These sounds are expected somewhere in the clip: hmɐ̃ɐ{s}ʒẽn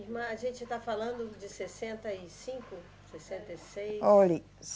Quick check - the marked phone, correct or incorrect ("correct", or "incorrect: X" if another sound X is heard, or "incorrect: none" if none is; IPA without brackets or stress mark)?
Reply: incorrect: none